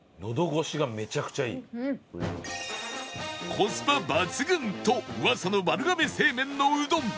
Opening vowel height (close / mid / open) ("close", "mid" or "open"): mid